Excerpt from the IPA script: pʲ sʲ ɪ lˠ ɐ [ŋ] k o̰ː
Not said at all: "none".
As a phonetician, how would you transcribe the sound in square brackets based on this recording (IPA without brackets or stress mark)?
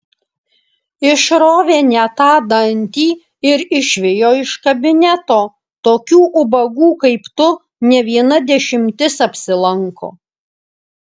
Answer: ŋ